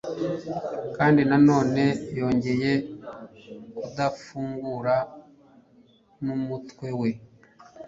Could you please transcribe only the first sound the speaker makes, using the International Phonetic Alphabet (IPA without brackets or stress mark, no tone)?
k